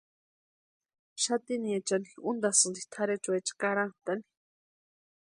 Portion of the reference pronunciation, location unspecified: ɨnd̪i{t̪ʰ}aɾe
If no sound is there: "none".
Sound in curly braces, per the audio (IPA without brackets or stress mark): t̪ʰ